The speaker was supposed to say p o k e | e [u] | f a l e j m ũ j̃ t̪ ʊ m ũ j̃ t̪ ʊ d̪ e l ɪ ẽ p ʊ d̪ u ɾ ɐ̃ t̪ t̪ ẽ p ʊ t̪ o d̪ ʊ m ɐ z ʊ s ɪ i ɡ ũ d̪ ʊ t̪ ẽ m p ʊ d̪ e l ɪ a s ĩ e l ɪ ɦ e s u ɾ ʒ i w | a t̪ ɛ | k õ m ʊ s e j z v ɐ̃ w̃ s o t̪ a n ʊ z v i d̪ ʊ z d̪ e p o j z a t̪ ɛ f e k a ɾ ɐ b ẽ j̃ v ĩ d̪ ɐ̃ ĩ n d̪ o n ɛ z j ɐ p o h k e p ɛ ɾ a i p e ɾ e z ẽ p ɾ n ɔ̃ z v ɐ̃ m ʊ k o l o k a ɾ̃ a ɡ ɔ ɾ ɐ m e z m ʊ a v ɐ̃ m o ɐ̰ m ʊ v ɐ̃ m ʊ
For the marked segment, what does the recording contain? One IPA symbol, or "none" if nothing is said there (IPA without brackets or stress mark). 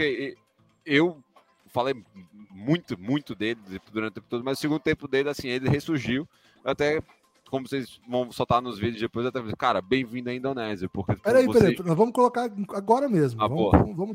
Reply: w